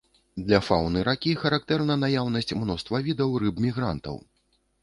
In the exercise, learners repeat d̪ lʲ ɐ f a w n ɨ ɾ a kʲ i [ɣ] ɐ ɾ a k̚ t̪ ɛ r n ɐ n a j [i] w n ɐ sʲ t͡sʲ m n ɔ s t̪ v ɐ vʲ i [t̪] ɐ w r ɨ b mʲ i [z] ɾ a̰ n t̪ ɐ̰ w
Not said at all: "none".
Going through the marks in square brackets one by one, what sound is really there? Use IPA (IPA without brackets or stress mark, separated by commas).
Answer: x, a, d̪, ɣ